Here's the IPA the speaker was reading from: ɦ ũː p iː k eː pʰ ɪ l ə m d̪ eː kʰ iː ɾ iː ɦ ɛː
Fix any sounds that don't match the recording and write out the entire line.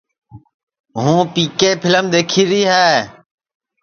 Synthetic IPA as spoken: ɦ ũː p iː k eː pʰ ɪ l ə m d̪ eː kʰ iː ɾ iː ɦ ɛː

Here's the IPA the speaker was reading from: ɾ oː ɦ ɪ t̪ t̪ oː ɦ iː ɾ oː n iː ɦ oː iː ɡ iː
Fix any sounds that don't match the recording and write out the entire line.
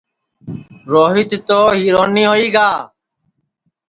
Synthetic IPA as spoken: ɾ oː ɦ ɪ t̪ t̪ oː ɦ iː ɾ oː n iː ɦ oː iː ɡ aː

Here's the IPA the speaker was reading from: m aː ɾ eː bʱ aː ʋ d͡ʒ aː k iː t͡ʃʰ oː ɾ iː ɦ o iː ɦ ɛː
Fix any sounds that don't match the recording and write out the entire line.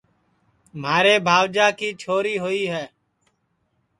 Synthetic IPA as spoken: m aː ɾ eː bʱ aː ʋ d͡ʒ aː k iː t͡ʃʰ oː ɾ iː ɦ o iː ɦ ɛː

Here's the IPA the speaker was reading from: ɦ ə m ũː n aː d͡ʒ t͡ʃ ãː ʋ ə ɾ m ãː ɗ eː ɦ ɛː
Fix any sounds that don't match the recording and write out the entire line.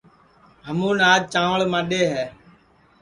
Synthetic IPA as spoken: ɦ ə m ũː n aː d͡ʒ t͡ʃ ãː ʋ ə ɭ m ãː ɗ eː ɦ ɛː

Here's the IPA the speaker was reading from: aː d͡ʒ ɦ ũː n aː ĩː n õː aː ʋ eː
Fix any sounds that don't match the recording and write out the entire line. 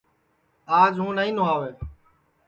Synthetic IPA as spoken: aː d͡ʒ ɦ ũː n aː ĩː n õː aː ʋ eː

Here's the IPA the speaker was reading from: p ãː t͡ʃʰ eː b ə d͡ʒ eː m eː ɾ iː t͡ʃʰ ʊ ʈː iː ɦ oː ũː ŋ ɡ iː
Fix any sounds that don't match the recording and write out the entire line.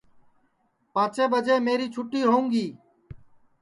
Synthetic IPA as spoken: p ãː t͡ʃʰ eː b ə d͡ʒ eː m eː ɾ iː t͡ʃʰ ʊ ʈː iː ɦ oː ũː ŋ ɡ iː

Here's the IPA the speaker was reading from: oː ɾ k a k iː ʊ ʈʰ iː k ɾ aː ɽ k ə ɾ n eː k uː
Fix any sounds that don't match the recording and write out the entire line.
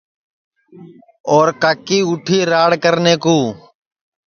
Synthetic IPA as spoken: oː ɾ k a k iː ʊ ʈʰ iː ɾ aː ɽ k ə ɾ n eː k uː

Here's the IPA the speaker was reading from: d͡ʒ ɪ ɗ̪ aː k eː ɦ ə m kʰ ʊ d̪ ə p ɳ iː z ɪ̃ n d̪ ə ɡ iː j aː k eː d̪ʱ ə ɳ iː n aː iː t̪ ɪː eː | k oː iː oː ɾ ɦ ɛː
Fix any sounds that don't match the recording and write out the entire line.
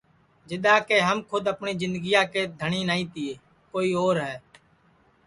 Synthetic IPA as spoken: d͡ʒ ɪ ɗ̪ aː k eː ɦ ə m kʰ ʊ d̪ ə p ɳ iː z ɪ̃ n d̪ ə ɡ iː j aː k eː d̪ʱ ə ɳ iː n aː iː t̪ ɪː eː | k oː iː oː ɾ ɦ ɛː

